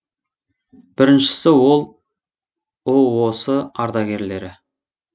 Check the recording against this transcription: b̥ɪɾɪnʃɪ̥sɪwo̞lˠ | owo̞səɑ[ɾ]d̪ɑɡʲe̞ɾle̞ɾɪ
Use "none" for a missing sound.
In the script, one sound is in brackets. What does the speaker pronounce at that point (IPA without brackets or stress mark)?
ɾ